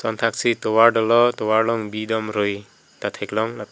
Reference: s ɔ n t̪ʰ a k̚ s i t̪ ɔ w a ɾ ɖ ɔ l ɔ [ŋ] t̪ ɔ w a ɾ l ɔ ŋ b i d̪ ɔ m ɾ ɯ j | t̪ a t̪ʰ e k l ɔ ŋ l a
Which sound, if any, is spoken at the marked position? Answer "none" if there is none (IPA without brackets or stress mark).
none